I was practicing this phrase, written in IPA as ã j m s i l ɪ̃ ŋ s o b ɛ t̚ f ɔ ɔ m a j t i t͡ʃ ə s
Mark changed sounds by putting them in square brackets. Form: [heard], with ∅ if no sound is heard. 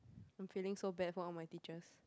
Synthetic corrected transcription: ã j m [f] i l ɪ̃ ŋ s o b ɛ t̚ f ɔ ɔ m a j t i t͡ʃ ə s